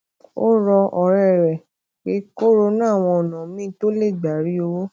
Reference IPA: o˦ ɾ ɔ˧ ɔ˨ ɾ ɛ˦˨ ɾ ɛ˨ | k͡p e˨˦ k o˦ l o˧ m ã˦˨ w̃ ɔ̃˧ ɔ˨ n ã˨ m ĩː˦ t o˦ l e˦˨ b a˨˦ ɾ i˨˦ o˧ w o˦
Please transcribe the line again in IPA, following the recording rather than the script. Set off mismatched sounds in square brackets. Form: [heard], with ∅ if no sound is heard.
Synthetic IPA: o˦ ɾ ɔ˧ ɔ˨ ɾ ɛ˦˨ ɾ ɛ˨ | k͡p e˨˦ k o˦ [ɾ] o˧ [n] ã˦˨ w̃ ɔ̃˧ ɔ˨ n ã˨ m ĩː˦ t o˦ l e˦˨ [ɡ͡b] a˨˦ ɾ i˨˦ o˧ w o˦